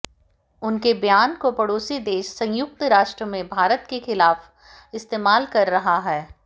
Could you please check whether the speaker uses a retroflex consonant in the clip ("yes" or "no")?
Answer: yes